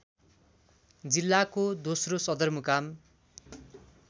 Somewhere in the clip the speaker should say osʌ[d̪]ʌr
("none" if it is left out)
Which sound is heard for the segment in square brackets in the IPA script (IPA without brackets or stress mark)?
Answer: d̪